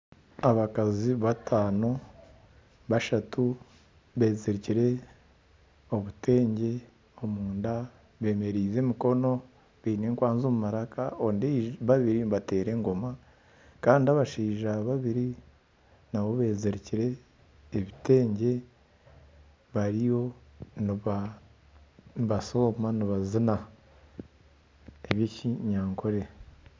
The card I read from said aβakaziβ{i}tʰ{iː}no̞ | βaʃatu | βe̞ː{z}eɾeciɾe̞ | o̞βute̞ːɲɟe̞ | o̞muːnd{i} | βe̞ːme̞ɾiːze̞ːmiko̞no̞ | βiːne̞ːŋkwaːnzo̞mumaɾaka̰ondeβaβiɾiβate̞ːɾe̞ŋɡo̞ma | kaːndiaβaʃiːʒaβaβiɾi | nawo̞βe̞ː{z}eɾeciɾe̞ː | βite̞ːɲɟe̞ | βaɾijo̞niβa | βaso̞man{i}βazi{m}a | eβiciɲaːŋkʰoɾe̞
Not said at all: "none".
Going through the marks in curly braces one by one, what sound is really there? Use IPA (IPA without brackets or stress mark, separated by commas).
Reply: a, aː, z, a, z, i, n